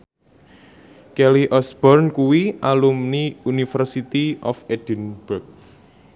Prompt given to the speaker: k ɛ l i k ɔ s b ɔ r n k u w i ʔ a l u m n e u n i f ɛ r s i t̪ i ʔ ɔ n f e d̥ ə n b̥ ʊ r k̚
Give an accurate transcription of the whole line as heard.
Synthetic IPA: k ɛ l i ʔ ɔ s b ɔ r n k u w i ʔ a l u m n i u n i f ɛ r s i t̪ i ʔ ɔ f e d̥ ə n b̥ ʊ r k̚